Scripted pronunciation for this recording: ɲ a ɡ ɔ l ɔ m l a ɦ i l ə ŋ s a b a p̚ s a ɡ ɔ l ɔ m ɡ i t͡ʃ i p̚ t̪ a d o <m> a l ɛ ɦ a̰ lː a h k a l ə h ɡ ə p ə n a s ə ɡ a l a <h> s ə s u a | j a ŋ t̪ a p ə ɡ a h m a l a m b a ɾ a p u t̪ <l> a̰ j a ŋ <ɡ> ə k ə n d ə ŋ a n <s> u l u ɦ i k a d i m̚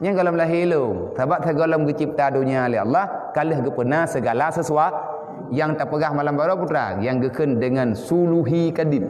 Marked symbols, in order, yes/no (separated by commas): no, no, no, yes, yes